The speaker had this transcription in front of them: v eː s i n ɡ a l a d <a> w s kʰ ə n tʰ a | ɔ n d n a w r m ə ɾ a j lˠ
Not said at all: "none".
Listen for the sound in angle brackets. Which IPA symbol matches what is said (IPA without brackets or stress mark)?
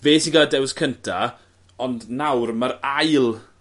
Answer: ɛ